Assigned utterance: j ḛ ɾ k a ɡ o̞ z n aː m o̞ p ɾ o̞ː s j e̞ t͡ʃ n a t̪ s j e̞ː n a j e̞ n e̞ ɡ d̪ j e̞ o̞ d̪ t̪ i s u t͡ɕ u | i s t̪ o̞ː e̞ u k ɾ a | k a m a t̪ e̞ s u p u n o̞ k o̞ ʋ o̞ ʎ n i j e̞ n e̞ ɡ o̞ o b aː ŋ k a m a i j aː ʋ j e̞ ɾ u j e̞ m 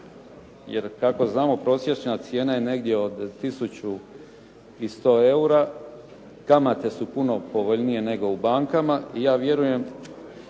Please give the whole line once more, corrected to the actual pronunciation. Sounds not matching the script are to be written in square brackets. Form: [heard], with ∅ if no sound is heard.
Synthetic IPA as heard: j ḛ ɾ k a [k] o̞ z n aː m o̞ p ɾ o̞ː s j e̞ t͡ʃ n a t̪ s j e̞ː n a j e̞ n e̞ ɡ d̪ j e̞ o̞ d̪ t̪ i s u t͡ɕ u | i s t̪ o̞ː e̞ u [∅] ɾ a | k a m a t̪ e̞ s u p u n o̞ [p] o̞ ʋ o̞ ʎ n i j e̞ n e̞ ɡ o̞ [u] b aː ŋ k a m a i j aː ʋ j e̞ ɾ u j e̞ m